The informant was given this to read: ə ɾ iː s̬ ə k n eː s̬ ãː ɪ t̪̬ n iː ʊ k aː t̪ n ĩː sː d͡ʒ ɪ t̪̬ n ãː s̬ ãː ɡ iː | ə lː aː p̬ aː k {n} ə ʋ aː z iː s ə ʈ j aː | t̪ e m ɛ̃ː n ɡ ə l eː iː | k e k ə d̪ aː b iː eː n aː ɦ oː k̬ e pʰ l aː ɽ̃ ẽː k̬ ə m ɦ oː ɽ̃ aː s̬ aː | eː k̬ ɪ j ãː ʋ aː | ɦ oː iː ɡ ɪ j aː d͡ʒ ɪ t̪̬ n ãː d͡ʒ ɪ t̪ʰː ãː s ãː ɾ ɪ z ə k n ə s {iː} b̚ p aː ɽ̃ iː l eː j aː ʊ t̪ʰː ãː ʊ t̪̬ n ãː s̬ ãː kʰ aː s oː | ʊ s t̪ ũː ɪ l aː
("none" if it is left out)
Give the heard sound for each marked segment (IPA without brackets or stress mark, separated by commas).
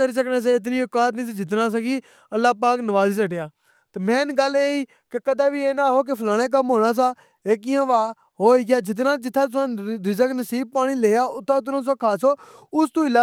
n, iː